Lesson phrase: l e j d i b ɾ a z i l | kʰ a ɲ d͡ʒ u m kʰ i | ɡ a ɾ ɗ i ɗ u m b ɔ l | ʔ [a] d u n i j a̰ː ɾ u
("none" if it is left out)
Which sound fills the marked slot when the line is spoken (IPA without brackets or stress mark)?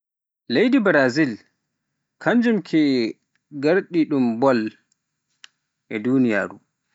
ɛ